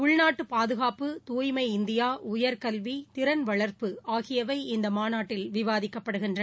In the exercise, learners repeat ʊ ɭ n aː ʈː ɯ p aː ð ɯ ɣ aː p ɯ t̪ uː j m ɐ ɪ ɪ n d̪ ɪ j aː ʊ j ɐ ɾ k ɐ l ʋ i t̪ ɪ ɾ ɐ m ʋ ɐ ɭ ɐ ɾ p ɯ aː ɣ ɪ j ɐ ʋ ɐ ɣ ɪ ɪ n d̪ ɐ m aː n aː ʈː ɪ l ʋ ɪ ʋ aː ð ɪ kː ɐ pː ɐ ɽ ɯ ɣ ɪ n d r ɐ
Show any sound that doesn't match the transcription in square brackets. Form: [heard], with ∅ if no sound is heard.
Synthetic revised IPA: ʊ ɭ n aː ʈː ɯ p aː ð ɯ ɣ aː p ɯ t̪ uː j m ɐ ɪ ɪ n d̪ ɪ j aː ʊ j ɐ ɾ k ɐ l ʋ i t̪ ɪ ɾ ɐ [n] ʋ ɐ ɭ ɐ ɾ p ɯ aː ɣ ɪ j ɐ ʋ ɐ [∅] ɪ ɪ n d̪ ɐ m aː n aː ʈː ɪ l ʋ ɪ ʋ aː ð ɪ kː ɐ pː ɐ ɽ ɯ ɣ ɪ n d r ɐ